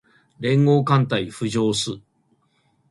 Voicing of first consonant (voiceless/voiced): voiced